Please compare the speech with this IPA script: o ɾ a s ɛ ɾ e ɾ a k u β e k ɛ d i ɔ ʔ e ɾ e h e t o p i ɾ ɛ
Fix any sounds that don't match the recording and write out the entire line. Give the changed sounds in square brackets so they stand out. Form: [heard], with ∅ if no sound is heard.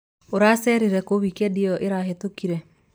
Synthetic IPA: o ɾ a s ɛ ɾ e ɾ [ɛ] k [o] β [i] k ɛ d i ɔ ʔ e ɾ [a] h e t o [k] i ɾ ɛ